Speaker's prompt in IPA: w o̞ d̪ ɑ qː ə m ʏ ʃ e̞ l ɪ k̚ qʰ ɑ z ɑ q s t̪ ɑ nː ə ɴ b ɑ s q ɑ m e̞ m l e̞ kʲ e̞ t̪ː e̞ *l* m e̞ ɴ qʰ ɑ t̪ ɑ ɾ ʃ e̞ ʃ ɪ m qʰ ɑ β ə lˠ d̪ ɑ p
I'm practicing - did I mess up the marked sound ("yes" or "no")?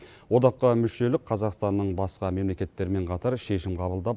yes